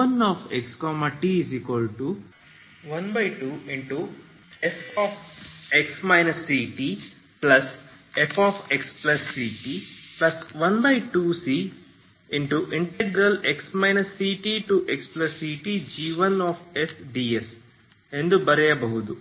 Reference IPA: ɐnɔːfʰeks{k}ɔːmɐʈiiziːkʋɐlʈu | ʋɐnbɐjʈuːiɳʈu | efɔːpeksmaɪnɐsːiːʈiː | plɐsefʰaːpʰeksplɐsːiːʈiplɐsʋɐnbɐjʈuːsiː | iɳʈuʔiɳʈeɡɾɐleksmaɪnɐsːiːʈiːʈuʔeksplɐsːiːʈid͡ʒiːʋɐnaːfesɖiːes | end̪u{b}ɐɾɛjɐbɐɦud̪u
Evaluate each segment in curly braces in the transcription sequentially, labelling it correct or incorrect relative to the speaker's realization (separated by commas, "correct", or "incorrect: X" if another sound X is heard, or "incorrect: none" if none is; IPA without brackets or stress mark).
correct, correct